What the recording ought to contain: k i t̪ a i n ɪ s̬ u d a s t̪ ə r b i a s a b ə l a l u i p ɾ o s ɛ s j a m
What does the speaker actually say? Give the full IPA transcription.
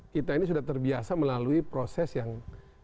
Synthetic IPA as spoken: k i t̪ a i n i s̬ u d a h t̪ ə r b i a s a m ə l a l u i p ɾ o s ɛ s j a ŋ